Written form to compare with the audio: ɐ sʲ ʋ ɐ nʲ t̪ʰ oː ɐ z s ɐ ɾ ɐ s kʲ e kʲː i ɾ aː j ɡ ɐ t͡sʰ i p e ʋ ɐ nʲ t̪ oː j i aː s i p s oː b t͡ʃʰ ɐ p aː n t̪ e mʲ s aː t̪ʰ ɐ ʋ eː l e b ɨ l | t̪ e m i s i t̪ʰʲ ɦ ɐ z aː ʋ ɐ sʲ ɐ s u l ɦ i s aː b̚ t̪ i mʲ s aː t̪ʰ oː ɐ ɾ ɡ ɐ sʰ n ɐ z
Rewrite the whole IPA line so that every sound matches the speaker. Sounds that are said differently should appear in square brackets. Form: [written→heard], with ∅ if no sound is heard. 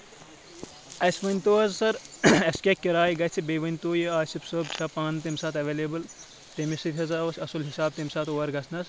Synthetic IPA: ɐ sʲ ʋ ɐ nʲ [t̪ʰ→t̪] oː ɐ z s ɐ ɾ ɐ s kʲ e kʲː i ɾ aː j ɡ ɐ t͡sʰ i [p→b] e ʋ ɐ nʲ t̪ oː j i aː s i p s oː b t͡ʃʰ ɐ p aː n t̪ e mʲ s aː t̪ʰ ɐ ʋ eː l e b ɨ l | t̪ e m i s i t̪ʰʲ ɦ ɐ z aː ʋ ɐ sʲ ɐ s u l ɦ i s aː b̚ t̪ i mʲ s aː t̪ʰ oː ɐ ɾ ɡ ɐ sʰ n ɐ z